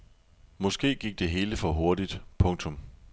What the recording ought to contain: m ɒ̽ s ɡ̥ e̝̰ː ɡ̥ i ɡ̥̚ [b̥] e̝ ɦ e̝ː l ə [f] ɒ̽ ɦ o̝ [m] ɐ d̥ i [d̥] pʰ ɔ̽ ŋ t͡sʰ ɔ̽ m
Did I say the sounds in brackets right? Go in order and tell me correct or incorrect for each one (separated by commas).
incorrect, correct, incorrect, correct